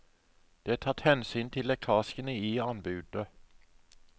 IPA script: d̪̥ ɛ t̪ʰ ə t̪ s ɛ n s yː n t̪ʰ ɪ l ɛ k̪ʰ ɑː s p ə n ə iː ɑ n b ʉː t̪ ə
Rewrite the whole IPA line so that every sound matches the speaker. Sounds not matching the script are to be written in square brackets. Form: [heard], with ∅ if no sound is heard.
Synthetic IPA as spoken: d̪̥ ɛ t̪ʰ [ɑ] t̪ [h] ɛ n s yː n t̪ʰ ɪ l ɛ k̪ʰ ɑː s [k] ə n ə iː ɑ n b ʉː [d̪] ə